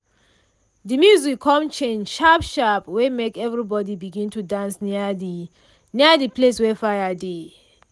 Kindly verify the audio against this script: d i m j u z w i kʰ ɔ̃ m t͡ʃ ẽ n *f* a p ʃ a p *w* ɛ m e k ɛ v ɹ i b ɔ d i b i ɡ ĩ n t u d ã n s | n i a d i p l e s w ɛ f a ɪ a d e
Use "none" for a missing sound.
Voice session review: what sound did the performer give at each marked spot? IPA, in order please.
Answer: ʃ, w

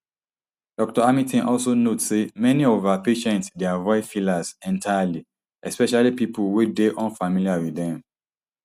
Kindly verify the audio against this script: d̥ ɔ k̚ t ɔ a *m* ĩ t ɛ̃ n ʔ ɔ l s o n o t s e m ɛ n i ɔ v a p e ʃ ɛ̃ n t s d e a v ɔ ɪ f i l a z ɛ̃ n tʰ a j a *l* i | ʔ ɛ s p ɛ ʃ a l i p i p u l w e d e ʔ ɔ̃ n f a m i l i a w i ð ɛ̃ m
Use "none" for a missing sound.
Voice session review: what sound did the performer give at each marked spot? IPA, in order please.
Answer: m, l

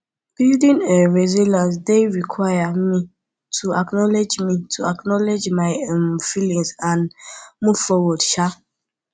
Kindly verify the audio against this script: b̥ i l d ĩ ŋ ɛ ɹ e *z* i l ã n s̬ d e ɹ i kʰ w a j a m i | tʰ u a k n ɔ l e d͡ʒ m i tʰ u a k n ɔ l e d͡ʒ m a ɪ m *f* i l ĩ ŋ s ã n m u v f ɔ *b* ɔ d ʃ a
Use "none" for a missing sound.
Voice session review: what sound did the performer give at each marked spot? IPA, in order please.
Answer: z, f, w

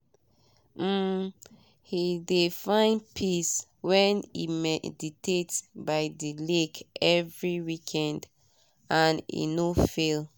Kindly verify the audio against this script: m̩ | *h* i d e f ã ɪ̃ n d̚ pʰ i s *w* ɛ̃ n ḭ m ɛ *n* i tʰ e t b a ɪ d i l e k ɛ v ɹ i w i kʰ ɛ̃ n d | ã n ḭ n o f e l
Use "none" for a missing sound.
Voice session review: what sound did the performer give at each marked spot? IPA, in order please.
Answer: h, w, d

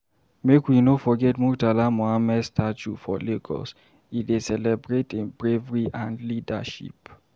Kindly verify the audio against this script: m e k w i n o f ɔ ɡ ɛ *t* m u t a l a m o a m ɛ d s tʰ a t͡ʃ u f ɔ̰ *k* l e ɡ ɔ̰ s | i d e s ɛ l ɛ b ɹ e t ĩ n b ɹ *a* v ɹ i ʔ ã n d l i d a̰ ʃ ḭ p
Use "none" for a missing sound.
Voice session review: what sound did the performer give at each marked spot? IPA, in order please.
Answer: t, none, e

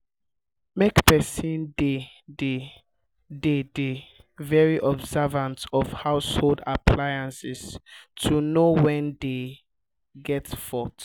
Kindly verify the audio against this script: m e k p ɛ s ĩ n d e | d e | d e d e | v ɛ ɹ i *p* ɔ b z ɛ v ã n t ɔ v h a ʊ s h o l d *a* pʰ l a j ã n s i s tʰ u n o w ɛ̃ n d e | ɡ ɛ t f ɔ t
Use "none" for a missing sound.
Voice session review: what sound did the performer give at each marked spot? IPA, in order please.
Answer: ʔ, a

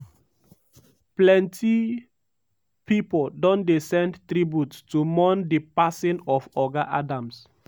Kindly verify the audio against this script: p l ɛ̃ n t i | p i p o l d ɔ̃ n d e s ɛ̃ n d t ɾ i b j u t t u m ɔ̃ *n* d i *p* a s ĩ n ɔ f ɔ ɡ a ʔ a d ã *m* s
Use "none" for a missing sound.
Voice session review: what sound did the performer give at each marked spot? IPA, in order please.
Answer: n, p, m

